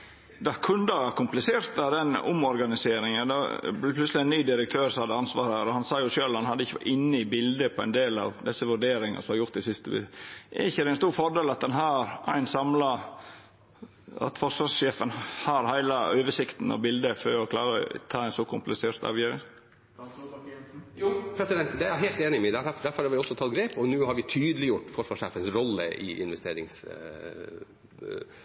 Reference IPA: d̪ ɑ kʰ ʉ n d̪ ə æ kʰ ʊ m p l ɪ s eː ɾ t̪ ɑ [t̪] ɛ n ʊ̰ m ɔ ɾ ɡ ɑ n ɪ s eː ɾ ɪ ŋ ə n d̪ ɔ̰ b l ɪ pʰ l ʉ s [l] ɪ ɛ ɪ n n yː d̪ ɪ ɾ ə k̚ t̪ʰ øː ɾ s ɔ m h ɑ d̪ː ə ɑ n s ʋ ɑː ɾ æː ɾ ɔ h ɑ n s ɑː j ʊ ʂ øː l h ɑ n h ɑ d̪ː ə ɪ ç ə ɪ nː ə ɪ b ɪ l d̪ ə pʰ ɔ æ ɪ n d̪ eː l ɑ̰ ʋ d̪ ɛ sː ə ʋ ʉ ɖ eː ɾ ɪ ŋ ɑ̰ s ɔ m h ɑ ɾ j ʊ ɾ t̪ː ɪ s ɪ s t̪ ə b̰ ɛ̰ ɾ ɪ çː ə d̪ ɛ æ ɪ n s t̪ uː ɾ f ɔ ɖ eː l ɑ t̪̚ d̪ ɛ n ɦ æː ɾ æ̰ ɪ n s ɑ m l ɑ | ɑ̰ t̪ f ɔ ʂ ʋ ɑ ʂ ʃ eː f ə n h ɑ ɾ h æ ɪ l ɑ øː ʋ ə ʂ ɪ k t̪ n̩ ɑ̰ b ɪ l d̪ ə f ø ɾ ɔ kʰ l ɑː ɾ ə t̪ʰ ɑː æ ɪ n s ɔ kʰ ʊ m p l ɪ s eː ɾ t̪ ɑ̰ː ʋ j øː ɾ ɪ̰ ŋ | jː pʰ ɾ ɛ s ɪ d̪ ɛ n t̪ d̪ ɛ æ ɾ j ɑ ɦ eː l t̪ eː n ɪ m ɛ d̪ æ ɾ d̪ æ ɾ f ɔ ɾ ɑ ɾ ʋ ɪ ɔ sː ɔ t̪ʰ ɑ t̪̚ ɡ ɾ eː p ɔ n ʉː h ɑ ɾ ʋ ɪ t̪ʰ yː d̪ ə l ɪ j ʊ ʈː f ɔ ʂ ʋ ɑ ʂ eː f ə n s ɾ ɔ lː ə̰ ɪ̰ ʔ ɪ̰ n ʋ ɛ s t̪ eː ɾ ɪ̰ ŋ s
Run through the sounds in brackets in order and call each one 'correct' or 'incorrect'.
incorrect, correct

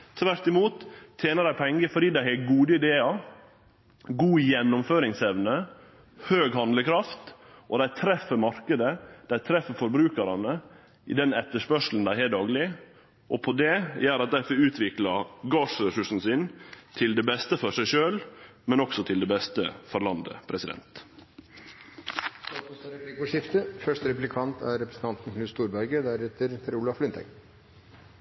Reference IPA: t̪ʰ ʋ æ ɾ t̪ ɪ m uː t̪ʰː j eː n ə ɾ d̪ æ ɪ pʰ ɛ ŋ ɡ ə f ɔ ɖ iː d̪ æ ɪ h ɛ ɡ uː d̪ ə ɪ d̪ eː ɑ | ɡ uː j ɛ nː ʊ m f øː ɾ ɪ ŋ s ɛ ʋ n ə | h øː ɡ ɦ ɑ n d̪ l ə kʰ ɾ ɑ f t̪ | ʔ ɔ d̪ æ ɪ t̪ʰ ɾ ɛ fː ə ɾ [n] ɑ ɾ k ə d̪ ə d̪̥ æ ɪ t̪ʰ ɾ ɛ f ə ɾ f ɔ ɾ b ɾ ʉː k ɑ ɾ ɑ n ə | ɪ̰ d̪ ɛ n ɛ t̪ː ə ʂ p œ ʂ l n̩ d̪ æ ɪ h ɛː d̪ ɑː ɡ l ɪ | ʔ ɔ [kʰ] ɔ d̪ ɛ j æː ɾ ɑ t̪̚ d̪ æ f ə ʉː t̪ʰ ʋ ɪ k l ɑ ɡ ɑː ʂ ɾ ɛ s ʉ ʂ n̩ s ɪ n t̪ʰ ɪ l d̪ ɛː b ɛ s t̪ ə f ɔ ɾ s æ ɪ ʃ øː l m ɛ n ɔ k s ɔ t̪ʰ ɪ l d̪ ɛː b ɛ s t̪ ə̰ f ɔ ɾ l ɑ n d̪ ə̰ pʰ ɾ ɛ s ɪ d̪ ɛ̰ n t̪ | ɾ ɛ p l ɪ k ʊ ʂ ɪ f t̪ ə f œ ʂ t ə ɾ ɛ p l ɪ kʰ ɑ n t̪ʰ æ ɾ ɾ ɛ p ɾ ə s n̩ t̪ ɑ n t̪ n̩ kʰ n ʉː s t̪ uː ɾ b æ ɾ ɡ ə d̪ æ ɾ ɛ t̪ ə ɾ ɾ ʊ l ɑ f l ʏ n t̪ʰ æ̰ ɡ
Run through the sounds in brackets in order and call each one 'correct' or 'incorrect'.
incorrect, incorrect

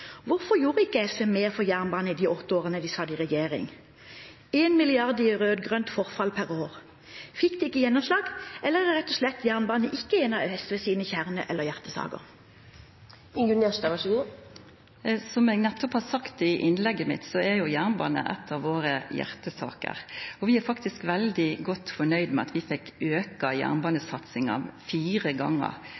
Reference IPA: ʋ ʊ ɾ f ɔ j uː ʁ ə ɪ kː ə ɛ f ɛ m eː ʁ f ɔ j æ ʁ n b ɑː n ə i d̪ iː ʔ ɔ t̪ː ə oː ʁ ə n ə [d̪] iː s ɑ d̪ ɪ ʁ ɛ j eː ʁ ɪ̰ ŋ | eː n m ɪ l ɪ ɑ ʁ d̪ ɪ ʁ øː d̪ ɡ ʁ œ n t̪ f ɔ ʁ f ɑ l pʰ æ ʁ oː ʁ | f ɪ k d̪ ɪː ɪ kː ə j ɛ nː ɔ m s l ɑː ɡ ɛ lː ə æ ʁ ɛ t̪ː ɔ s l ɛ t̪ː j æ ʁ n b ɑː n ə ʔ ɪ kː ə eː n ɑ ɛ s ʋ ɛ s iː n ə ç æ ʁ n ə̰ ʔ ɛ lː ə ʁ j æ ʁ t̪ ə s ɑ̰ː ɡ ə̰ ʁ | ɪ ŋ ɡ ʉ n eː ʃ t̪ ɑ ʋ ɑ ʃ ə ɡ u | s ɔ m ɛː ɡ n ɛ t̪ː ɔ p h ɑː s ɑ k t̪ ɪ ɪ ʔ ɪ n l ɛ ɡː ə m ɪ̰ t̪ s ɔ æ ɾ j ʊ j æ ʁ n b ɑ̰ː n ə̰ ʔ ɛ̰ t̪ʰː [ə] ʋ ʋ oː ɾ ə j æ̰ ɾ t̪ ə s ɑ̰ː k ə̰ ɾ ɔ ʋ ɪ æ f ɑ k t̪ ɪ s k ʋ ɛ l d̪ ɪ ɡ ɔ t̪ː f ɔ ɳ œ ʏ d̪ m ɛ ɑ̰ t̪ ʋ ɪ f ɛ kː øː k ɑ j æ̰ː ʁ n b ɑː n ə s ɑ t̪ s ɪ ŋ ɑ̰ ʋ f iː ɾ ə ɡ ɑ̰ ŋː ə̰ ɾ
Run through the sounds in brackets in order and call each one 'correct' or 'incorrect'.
correct, incorrect

